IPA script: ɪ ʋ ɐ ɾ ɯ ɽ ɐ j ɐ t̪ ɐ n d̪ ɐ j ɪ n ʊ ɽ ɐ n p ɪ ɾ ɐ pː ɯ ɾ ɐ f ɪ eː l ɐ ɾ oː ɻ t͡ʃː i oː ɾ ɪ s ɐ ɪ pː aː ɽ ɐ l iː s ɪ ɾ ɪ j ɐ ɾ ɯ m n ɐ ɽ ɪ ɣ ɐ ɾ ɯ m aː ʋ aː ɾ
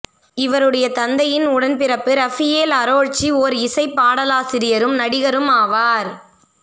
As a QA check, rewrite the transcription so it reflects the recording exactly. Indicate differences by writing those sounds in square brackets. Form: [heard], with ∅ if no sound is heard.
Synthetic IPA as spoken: ɪ ʋ ɐ ɾ ɯ ɽ ɐ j ɐ t̪ ɐ n d̪ ɐ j ɪ n ʊ ɽ ɐ n p ɪ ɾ ɐ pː ɯ ɾ ɐ f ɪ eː l ɐ ɾ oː ɻ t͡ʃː i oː ɾ ɪ s ɐ ɪ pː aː ɽ ɐ l [aː] s ɪ ɾ ɪ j ɐ ɾ ɯ m n ɐ ɽ ɪ ɣ ɐ ɾ ɯ m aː ʋ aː ɾ